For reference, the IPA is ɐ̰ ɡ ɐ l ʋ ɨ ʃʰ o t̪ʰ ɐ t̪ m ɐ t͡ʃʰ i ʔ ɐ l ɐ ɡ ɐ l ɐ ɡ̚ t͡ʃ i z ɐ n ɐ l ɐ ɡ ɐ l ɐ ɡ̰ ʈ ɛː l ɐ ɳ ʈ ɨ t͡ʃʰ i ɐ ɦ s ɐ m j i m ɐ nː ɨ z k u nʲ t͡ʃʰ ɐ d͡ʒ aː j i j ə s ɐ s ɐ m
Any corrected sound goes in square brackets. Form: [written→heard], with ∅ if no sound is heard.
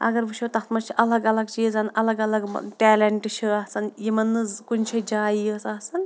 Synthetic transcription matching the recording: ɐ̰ ɡ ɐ [l→ɾ] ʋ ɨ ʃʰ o [t̪ʰ→t̪] ɐ t̪ m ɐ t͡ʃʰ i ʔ ɐ l ɐ ɡ ɐ l ɐ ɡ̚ t͡ʃ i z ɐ n ɐ l ɐ ɡ ɐ l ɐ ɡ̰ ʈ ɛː l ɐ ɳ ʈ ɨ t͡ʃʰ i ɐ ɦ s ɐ [m→n] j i m ɐ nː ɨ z k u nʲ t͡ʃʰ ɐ d͡ʒ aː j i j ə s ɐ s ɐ [m→n]